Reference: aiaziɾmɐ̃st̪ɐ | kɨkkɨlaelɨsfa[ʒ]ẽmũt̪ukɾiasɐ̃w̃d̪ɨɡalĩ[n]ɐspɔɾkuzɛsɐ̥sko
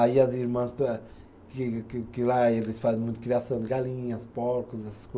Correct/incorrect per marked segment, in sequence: incorrect: z, incorrect: ɲ

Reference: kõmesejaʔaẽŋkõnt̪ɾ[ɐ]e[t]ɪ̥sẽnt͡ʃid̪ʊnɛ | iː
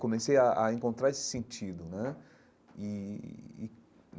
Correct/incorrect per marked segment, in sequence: incorrect: a, incorrect: s

